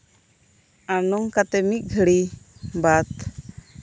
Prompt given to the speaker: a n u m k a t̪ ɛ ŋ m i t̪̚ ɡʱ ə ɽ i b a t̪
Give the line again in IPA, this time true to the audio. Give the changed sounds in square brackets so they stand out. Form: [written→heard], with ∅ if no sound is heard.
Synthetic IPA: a n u [m→ŋ] k a t̪ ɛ [ŋ→∅] m i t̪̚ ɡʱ ə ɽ i b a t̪